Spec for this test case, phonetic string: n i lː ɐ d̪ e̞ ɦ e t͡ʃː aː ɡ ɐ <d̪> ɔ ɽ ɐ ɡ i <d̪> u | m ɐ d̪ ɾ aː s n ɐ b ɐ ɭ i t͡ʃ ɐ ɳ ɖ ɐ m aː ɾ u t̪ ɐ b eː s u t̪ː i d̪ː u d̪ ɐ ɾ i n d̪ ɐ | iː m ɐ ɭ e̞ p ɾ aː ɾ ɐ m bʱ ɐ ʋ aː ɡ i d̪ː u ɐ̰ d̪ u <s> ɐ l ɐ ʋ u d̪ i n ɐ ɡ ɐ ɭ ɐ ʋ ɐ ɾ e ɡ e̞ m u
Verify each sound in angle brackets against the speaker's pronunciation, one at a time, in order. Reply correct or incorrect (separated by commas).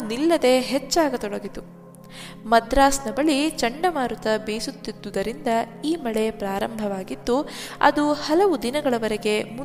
incorrect, incorrect, incorrect